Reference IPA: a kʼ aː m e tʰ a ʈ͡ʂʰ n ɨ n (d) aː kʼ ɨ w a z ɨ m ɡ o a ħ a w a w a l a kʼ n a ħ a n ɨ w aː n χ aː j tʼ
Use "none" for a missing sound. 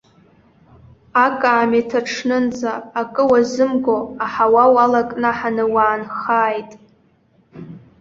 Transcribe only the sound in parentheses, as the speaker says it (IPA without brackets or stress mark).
d͡z